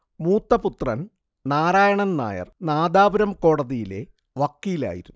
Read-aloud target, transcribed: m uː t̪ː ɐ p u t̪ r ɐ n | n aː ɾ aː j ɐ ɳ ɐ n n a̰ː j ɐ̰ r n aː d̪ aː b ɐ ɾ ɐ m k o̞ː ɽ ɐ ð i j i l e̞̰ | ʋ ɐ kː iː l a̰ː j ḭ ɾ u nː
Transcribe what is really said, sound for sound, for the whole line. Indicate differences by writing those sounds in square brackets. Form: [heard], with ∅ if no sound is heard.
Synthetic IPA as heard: m uː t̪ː ɐ p u t̪ r ɐ n | n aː ɾ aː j ɐ ɳ ɐ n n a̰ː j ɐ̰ r n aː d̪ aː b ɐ ɾ ɐ m k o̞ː ɽ ɐ ð i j i l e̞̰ | ʋ ɐ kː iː l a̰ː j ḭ ɾ u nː